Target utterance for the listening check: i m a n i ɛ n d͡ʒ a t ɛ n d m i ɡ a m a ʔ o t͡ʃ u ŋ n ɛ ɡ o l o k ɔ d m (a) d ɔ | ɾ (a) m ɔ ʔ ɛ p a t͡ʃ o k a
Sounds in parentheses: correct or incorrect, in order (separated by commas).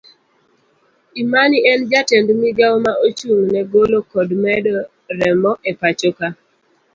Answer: incorrect, incorrect